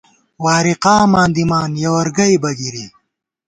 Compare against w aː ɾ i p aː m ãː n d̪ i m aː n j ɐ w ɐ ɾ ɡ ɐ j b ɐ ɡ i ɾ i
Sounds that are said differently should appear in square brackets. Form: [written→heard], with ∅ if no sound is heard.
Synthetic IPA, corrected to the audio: w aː ɾ i [p→q] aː m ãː n d̪ i m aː n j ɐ w ɐ ɾ ɡ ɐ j b ɐ ɡ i ɾ i